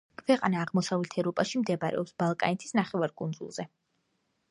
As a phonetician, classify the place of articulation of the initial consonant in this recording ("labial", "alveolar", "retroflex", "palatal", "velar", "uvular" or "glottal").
velar